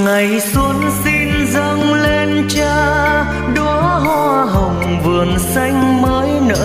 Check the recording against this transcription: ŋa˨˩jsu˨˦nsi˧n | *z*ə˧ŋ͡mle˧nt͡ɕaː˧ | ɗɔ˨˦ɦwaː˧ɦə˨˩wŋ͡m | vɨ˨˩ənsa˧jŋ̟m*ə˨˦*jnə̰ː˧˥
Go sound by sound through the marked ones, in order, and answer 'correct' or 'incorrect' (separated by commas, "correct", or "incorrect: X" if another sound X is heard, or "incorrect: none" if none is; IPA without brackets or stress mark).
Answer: correct, incorrect: əː˨˦